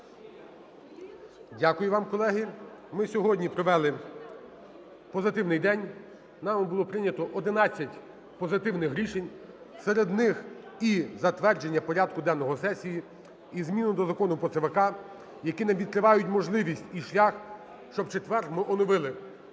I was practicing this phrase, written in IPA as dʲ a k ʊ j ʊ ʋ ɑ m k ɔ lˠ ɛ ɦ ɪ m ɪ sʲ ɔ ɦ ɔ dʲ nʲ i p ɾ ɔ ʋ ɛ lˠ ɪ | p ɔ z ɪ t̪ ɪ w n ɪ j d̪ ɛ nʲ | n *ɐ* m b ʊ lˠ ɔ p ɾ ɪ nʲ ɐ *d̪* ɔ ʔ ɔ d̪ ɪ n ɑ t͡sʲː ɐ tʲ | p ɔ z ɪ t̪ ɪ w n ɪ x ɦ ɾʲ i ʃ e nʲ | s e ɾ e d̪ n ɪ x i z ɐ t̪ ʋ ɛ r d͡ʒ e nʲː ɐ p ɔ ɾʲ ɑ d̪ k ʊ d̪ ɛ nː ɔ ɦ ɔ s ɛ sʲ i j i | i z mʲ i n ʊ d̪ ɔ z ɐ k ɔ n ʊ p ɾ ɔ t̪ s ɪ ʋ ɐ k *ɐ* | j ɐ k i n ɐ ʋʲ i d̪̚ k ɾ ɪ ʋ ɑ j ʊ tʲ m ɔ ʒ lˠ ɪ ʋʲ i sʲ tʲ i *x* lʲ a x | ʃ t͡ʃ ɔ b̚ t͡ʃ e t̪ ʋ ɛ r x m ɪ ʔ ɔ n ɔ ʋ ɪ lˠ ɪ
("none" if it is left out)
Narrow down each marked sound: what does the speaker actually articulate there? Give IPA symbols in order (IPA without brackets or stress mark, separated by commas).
ɑ, t̪, ɑ, ʃ